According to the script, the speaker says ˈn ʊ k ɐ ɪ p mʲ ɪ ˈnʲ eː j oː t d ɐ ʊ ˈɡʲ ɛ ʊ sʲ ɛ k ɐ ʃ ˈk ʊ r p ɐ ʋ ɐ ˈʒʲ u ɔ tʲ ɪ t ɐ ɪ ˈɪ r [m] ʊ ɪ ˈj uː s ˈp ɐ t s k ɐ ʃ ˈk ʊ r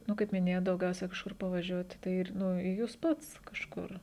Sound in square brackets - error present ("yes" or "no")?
yes